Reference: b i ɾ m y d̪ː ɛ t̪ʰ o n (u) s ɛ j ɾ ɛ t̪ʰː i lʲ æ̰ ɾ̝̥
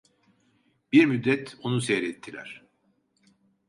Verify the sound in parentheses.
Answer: correct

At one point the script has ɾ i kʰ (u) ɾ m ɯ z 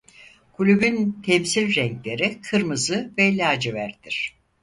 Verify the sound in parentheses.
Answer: incorrect: ɯ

